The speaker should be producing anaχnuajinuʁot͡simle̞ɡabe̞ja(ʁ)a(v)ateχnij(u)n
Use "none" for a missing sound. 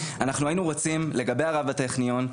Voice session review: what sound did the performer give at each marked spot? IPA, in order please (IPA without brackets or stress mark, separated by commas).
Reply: ʁ, v, o